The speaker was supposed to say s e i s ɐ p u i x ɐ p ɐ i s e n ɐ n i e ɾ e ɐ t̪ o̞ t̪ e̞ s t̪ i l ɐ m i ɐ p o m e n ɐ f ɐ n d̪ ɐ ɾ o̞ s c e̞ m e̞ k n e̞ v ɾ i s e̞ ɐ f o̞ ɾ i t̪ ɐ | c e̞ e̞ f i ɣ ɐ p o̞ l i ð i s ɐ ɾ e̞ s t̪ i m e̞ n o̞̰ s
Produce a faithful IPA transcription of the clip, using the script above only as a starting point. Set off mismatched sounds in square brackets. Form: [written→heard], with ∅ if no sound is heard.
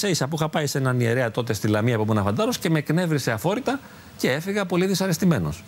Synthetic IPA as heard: s e i s ɐ p u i x ɐ p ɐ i s e n ɐ n i e ɾ e ɐ t̪ o̞ t̪ e̞ s t̪ i l ɐ m i ɐ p o m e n ɐ f ɐ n d̪ ɐ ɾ o̞ s c e̞ m e̞ k n e̞ v ɾ i s e̞ ɐ f o̞ ɾ i t̪ ɐ | c e̞ e̞ f i ɣ ɐ p o̞ l i ð i s ɐ ɾ e̞ s t̪ i m e̞ n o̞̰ s